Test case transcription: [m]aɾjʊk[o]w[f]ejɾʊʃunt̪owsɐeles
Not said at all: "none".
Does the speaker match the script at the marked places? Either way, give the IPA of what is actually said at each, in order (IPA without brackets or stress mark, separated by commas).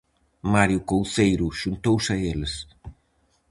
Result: m, o, θ